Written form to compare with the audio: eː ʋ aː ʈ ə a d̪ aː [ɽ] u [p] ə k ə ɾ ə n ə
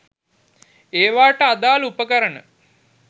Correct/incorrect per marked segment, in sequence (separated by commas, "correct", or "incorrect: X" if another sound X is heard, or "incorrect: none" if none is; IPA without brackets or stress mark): incorrect: l, correct